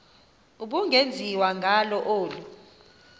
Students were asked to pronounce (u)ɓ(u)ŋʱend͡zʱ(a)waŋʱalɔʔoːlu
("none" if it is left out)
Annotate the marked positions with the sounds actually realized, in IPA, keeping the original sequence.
u, u, i

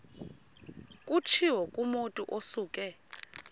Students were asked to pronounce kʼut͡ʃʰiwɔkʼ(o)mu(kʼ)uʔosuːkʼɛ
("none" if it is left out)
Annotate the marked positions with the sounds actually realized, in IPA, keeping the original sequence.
u, tʼ

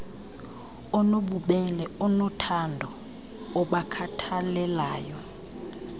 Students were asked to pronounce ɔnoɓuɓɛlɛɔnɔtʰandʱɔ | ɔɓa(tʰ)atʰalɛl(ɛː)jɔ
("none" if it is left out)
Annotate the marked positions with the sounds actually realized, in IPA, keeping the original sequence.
kʰ, aː

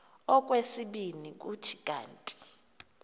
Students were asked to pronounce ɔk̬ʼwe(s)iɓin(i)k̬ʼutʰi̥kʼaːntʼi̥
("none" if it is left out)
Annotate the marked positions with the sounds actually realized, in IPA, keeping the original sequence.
s, i

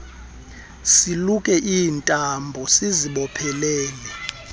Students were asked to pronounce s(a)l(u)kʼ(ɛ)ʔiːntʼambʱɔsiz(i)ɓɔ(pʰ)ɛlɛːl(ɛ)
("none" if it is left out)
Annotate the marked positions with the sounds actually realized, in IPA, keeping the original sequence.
i, u, ɛ, i, pʰ, ɛ

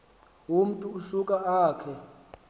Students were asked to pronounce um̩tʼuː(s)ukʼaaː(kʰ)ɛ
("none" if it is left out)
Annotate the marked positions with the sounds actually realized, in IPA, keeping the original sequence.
s, kʰ

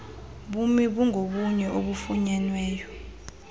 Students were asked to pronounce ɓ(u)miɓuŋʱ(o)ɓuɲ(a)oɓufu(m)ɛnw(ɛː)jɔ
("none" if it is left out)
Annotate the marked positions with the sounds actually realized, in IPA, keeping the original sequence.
u, o, ɛ, ɲ, ɛː

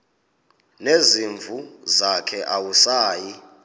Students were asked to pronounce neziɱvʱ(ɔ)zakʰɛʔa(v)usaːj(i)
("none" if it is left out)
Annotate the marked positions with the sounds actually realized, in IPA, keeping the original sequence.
u, w, i

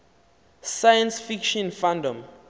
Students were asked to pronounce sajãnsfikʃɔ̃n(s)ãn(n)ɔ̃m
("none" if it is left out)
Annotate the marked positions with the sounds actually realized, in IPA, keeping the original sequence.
f, d

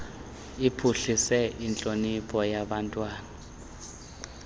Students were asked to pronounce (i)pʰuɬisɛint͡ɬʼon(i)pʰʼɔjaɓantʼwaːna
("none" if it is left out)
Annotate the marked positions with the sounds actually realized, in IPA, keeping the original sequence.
i, i

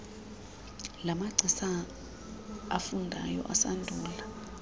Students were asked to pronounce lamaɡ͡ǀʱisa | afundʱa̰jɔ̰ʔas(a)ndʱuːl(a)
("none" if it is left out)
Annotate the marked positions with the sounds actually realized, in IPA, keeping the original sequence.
a, a

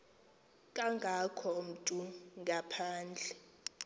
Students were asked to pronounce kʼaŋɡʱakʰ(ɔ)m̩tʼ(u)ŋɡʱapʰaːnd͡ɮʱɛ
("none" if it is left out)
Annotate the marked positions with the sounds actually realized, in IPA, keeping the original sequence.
ɔ, u

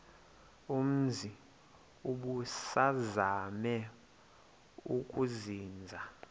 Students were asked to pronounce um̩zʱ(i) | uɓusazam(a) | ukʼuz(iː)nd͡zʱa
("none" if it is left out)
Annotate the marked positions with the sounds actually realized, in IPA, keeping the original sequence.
i, ɛ, iː

